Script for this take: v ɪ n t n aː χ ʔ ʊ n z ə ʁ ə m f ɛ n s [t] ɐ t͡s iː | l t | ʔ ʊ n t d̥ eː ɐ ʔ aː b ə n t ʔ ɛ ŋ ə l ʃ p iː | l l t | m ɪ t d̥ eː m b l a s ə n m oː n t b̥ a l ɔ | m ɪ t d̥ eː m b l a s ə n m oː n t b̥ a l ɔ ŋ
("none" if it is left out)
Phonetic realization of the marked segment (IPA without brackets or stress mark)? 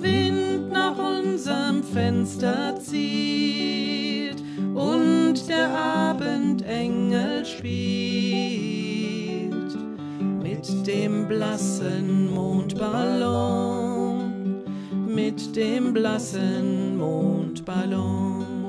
t